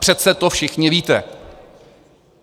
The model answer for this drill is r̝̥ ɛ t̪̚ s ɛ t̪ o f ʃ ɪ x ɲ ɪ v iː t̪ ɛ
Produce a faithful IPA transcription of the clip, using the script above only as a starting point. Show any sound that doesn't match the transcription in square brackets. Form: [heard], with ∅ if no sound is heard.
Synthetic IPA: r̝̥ ɛ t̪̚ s ɛ t̪ o f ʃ ɪ x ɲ ɪ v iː t̪ ɛ